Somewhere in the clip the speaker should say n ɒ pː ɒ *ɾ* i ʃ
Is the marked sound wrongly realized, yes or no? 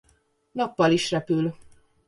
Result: yes